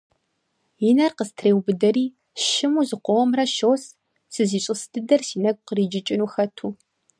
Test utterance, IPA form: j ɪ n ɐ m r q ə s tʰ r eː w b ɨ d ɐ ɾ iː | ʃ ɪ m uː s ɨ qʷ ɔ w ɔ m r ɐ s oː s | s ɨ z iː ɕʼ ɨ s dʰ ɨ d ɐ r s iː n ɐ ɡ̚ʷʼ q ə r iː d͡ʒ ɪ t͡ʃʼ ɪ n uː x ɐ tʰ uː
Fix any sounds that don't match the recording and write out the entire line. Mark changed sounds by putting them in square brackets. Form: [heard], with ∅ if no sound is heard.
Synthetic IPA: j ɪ n ɐ [∅] r q ə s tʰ r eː w b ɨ d ɐ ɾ iː | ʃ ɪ m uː [z] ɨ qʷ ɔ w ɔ m r ɐ [ʃ] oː s | s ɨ z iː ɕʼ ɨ s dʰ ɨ d ɐ r s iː n ɐ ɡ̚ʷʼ q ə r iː d͡ʒ ɪ t͡ʃʼ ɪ n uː x ɐ tʰ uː